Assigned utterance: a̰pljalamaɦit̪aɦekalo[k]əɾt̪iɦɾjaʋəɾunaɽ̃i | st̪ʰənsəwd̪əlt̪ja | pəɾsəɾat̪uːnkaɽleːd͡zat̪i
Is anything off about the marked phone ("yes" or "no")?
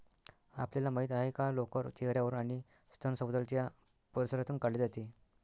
no